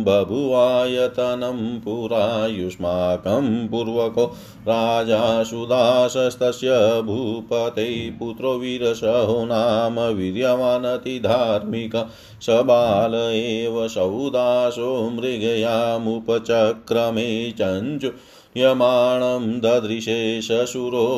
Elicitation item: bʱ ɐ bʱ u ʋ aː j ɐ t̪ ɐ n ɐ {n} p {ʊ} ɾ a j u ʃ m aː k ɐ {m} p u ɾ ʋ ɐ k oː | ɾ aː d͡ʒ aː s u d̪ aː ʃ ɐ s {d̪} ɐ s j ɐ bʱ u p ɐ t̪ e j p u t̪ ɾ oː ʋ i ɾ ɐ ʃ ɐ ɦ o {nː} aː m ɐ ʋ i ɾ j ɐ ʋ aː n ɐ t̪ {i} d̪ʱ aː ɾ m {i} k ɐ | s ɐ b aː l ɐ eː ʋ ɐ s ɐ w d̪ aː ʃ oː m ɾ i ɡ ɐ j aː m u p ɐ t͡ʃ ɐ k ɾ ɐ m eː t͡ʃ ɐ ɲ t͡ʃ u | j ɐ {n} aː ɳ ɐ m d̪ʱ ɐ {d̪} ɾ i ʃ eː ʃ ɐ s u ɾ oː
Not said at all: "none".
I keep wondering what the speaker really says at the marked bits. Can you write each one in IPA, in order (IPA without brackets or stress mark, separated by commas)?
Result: m, u, m, t̪, n, i, i, m, d̪